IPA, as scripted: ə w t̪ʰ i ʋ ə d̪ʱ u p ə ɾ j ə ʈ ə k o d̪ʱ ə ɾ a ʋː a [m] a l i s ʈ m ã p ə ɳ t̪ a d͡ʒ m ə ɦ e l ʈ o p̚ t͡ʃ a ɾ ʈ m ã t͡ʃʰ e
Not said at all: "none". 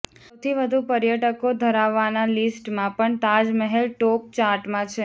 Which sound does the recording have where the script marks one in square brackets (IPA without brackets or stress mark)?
n